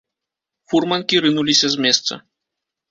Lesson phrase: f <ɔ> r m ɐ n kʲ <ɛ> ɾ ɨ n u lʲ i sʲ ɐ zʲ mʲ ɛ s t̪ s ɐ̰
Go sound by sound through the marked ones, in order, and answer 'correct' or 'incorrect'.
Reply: incorrect, incorrect

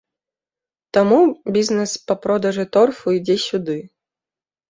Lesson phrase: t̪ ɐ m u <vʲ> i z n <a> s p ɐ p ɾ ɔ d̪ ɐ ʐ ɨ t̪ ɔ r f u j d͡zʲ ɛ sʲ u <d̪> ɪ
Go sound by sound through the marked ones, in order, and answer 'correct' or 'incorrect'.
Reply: incorrect, incorrect, correct

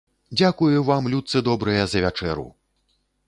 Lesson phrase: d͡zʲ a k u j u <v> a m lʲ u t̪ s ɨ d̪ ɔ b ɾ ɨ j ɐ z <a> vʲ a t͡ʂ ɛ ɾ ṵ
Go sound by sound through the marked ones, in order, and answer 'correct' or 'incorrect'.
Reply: correct, incorrect

